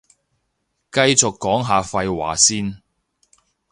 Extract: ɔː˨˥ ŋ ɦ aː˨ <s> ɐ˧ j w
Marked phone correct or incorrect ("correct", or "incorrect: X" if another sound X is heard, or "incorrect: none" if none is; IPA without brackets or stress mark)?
incorrect: f